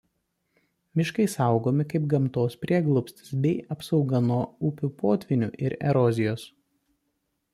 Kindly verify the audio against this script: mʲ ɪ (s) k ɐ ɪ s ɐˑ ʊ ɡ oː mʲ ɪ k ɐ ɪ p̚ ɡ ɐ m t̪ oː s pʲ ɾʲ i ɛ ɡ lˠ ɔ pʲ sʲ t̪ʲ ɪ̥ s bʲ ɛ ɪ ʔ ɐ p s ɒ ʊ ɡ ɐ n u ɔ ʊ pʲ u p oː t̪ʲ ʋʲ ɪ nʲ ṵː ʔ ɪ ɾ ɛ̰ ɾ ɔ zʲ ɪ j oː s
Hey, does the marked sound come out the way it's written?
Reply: no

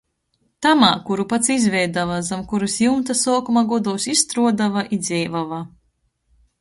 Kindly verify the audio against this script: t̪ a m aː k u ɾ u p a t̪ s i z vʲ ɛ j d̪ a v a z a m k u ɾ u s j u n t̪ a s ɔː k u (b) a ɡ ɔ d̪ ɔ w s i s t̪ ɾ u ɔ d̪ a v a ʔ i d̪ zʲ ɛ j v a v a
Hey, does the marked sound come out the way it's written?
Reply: no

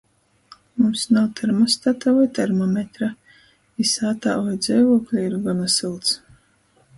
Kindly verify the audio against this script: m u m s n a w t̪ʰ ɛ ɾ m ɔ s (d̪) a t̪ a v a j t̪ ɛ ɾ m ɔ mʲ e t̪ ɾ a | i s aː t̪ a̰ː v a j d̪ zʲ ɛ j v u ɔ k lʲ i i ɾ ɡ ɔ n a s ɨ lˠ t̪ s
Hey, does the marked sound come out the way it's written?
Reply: no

